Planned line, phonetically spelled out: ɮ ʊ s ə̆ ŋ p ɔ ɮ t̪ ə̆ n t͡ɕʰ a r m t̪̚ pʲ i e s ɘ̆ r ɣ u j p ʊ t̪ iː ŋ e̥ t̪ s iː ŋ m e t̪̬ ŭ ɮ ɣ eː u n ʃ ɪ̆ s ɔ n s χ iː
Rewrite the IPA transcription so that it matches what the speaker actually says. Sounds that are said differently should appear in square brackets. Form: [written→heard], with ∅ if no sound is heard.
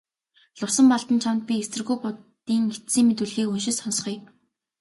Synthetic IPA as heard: ɮ ʊ s ə̆ [ŋ→m] p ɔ ɮ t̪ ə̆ n t͡ɕʰ a [r→∅] m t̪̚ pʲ i e s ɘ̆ r ɣ u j p ʊ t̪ iː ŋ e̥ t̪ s iː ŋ m e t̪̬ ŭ ɮ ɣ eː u n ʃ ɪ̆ s ɔ n s χ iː